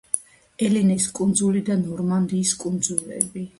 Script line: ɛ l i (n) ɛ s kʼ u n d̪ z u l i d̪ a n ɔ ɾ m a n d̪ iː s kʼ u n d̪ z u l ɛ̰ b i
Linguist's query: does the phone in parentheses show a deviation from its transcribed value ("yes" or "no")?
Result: no